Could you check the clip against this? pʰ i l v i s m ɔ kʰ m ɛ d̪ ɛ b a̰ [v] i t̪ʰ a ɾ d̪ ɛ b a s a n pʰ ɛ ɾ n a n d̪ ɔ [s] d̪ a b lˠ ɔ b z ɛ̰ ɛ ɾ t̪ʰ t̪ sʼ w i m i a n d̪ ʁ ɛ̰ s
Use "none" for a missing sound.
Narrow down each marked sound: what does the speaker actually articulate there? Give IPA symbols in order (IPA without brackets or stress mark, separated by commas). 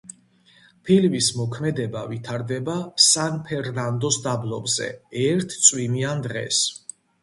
v, s